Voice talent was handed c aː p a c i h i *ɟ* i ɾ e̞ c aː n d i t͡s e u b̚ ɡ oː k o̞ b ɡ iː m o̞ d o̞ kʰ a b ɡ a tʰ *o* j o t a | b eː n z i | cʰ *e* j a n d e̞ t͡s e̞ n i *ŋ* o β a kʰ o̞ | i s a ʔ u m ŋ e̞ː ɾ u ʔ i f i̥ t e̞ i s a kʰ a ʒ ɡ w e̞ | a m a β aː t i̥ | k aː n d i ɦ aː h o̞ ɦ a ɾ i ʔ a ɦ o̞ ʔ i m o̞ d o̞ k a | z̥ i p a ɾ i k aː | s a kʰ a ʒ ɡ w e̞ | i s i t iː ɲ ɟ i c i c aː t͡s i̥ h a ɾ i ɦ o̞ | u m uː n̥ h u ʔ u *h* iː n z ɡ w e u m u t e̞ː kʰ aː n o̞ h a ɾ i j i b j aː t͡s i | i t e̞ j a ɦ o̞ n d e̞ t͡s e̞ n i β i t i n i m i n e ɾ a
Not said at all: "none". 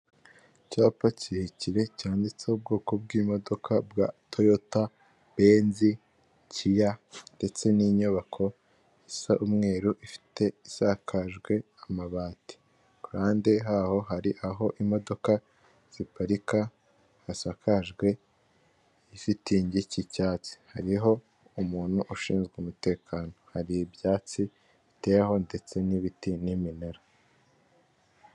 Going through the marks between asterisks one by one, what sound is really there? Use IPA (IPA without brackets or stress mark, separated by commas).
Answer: c, o, i, ɲ, ʃ